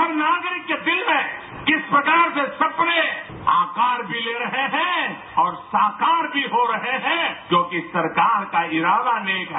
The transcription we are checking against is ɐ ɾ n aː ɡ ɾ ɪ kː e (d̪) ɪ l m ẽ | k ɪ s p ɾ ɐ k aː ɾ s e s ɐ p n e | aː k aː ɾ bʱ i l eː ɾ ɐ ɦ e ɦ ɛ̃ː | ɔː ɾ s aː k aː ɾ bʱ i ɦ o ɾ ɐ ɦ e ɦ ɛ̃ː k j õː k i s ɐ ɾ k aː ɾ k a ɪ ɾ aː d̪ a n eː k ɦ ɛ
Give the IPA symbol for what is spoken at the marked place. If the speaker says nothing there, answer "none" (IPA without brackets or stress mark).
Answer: d̪